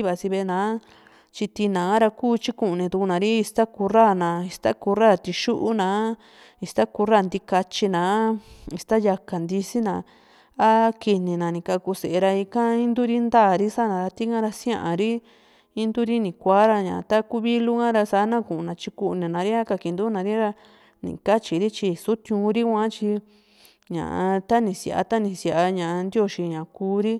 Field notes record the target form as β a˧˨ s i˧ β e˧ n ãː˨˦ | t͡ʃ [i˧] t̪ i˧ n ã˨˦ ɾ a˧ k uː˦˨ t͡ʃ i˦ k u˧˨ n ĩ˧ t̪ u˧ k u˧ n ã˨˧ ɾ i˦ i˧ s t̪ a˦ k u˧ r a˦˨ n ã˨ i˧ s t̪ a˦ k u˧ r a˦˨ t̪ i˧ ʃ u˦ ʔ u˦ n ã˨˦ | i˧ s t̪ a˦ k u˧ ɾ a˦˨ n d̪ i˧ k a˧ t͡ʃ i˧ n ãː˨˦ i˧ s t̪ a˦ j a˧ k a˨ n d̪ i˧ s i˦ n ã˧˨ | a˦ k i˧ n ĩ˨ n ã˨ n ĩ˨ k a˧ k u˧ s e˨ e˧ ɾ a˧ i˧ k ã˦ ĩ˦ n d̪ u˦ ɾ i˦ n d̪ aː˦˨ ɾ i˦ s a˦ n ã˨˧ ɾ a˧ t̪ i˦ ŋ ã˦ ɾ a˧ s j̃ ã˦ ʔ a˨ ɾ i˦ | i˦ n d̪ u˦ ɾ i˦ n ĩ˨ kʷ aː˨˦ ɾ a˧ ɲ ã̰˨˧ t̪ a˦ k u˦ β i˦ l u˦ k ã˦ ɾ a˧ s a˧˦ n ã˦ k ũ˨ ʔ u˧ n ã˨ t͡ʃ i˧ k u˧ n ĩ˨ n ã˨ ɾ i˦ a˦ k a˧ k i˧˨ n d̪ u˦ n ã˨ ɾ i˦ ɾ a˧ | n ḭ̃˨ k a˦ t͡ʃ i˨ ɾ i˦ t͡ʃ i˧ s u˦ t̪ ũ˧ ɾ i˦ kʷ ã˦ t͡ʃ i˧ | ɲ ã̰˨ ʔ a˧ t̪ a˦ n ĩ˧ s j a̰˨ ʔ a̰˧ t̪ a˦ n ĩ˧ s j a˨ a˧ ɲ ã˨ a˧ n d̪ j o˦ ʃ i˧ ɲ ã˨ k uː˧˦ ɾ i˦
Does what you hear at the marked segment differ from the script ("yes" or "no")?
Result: no